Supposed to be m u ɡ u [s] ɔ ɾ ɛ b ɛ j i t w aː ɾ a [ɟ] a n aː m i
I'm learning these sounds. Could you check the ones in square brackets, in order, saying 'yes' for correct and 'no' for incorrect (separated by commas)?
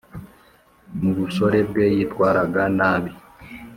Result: yes, no